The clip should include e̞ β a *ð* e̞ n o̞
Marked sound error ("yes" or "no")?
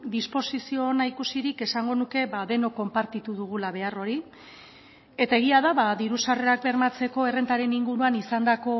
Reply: no